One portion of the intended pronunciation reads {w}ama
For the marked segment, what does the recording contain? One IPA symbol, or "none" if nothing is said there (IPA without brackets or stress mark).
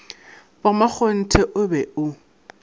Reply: b